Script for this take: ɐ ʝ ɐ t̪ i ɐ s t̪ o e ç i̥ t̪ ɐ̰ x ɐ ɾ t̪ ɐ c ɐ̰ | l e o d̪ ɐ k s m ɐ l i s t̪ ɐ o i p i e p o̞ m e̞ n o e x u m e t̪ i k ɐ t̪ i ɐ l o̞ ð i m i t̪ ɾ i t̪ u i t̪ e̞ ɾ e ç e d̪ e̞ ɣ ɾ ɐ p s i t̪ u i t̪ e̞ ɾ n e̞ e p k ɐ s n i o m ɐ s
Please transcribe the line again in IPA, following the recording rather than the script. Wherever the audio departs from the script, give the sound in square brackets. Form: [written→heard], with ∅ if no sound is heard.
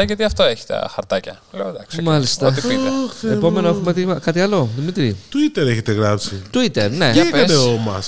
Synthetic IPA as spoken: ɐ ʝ ɐ t̪ i ɐ [s→f] t̪ o e ç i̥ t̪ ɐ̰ x ɐ ɾ t̪ ɐ c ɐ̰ | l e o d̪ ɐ k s m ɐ l i s t̪ ɐ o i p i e p o̞ m e̞ n o e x u m e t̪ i k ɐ t̪ i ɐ l o̞ ð i m i t̪ ɾ i t̪ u i t̪ e̞ ɾ e ç e [d̪→t̪] e̞ ɣ ɾ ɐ p s i t̪ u i t̪ e̞ ɾ n e̞ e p k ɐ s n [i→e] o m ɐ s